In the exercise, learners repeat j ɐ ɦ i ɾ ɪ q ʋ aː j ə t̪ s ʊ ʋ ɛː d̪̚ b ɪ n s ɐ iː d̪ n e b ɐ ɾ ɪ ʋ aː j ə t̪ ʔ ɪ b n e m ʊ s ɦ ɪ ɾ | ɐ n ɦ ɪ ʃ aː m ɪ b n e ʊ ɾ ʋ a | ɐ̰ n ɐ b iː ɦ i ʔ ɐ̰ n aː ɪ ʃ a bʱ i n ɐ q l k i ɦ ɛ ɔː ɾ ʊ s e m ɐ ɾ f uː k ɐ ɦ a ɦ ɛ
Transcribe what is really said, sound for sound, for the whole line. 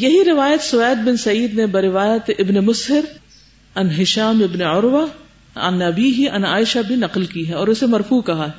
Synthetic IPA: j ɐ ɦ i ɾ ɪ ʋ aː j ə t̪ s ʊ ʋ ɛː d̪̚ b ɪ n s ɐ iː d̪ n e b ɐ ɾ ɪ ʋ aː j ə t̪ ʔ ɪ b n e m ʊ s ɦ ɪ ɾ | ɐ n ɦ ɪ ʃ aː m ɪ b n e ʊ ɾ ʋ a | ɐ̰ n ɐ b iː ɦ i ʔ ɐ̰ n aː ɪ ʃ a bʱ i n ɐ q l k i ɦ ɛ ɔː ɾ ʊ s e m ɐ ɾ f uː k ɐ ɦ a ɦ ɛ